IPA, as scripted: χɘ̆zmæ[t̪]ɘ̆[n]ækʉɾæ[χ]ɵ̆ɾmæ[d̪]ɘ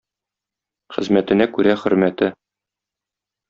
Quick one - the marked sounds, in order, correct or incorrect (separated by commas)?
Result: correct, correct, correct, incorrect